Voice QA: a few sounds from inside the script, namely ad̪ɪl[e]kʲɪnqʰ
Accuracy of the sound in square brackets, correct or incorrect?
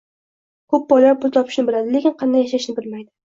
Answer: correct